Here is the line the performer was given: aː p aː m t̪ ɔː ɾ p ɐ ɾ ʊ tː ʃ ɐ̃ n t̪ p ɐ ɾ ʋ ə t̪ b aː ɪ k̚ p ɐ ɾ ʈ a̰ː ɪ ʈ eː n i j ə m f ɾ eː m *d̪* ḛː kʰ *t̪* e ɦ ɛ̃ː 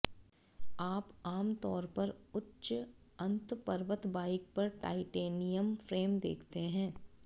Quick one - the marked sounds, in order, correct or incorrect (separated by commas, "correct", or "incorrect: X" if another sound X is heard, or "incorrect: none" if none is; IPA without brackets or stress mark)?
correct, correct